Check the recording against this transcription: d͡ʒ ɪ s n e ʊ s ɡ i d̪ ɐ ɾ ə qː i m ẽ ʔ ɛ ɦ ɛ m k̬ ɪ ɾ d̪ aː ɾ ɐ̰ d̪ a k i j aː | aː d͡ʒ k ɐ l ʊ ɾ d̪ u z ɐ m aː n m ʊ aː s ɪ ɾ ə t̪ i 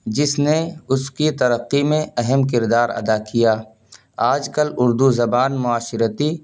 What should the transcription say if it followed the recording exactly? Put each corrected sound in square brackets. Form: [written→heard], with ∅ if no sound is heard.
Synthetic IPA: d͡ʒ ɪ s n e ʊ s [ɡ→k] i [d̪→t̪] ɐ ɾ ə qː i m ẽ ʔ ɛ ɦ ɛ m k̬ ɪ ɾ d̪ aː ɾ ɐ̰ d̪ a k i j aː | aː d͡ʒ k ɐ l ʊ ɾ d̪ u z ɐ [m→b] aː n m ʊ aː [s→ʃ] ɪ ɾ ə t̪ i